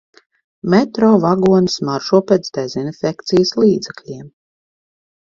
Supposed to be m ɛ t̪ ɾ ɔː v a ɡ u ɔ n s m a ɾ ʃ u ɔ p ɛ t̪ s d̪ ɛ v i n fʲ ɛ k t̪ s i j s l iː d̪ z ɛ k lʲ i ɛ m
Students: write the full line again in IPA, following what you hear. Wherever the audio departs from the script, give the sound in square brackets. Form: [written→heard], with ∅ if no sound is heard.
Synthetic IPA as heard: m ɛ t̪ ɾ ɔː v a ɡ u ɔ n s m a ɾ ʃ u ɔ p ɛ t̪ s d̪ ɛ [v→z] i n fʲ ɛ k t̪ s i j s l iː d̪ z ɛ k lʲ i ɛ m